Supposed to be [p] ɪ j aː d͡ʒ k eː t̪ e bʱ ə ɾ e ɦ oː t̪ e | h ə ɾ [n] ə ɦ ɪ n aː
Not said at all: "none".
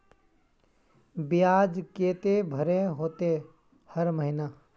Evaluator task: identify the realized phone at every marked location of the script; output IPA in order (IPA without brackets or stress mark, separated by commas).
b, m